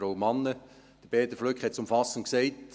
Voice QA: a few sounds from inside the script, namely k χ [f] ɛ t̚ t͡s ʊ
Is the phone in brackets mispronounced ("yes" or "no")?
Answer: yes